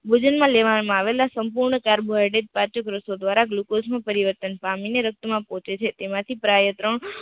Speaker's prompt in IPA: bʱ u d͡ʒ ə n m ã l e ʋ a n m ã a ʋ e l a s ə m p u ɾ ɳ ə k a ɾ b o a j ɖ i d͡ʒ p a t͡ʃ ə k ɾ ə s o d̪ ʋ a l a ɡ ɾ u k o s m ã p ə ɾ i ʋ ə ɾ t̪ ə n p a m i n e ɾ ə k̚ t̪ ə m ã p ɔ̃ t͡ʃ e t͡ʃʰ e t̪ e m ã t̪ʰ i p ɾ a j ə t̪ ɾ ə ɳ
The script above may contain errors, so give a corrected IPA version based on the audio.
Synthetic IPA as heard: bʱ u d͡ʒ ə n m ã l e ʋ a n m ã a ʋ e l a s ə m p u ɾ ɳ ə k a ɾ b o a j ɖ e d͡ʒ p a t͡ʃ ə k ɾ ə s o d̪ ʋ a ɾ a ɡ l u k o s m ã p ə ɾ i ʋ ə ɾ t̪ ə n p a m i n e ɾ ə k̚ t̪ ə m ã p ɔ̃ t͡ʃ e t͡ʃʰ e t̪ e m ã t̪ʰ i p ɾ a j ə t̪ ɾ ə ɳ